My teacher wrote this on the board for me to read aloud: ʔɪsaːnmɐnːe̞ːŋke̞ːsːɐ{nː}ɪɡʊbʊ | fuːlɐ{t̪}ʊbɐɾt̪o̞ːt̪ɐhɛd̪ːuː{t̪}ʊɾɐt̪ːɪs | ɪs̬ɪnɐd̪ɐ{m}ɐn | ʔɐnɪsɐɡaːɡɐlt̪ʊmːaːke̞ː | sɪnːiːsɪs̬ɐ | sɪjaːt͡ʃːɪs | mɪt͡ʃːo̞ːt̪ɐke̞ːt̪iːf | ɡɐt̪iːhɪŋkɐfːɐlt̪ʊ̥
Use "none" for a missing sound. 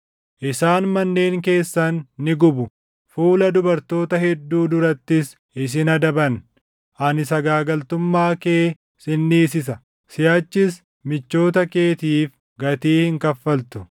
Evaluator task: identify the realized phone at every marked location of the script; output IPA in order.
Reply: nː, d̪, d̪, b

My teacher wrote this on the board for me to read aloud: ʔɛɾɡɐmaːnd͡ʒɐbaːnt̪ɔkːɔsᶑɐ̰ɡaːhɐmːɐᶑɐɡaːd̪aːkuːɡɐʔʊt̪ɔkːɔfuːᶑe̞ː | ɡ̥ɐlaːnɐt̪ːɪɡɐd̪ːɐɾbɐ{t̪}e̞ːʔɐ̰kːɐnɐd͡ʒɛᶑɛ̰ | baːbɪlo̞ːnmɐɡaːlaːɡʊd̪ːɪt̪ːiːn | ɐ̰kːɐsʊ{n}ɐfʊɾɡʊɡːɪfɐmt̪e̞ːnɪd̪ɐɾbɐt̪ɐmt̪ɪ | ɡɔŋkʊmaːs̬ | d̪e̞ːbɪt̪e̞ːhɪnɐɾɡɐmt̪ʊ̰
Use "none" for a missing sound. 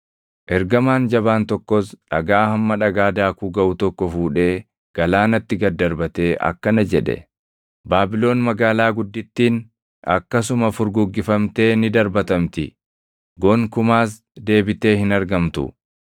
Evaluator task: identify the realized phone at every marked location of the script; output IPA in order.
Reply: t̪, m

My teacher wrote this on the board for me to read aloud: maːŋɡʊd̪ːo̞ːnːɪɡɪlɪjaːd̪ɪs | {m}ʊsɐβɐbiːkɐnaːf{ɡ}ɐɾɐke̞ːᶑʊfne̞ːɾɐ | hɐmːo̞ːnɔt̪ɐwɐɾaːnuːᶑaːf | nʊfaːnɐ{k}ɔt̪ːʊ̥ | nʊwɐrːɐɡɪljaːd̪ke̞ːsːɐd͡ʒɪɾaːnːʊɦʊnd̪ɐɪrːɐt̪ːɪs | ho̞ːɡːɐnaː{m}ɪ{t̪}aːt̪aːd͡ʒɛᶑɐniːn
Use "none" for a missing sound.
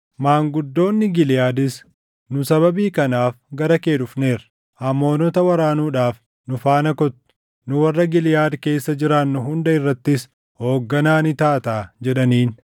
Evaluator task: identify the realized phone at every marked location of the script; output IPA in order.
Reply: n, ɡ, k, n, t̪

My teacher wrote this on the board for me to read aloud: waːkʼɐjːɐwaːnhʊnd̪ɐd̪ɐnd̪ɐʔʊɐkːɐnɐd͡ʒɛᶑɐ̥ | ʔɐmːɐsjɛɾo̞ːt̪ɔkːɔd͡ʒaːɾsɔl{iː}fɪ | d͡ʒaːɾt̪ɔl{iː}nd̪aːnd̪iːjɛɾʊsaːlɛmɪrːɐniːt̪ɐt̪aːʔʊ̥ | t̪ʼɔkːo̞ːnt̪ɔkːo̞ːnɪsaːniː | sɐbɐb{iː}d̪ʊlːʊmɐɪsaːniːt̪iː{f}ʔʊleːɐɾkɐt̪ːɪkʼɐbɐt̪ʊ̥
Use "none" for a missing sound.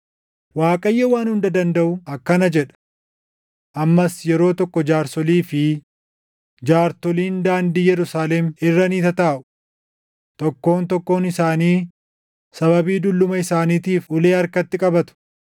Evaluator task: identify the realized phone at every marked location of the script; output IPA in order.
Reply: iː, iː, iː, f

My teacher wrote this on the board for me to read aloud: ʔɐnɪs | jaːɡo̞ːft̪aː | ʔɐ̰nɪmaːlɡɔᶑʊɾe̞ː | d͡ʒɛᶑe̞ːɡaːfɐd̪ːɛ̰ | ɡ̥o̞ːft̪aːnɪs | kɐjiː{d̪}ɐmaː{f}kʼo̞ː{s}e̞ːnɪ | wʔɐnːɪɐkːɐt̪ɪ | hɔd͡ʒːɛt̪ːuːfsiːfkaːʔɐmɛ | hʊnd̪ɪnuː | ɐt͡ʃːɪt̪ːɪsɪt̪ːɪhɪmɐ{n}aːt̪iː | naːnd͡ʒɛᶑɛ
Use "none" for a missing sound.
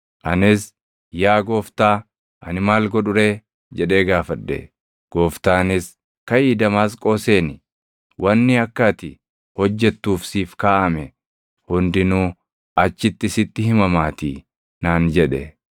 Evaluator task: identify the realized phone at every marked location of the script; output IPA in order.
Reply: d̪, s, s, m

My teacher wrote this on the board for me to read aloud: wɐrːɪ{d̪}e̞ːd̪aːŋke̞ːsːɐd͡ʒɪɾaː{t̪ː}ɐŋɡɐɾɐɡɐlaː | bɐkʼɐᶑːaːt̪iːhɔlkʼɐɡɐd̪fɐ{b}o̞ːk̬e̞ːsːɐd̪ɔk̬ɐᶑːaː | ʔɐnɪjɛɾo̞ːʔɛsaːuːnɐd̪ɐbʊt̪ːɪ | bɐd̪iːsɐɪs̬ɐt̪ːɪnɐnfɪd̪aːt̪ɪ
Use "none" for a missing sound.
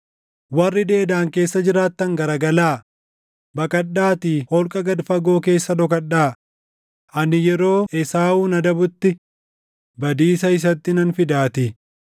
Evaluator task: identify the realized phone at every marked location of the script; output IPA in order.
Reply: d̪, t̪ː, ɡ

